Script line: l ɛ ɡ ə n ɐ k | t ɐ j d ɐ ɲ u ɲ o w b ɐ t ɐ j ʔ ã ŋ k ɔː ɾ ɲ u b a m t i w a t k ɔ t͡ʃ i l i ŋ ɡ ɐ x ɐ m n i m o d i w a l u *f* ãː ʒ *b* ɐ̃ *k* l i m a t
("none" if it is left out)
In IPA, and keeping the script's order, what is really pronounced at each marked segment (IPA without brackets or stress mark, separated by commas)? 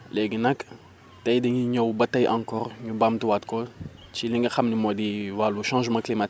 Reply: ʃ, m, k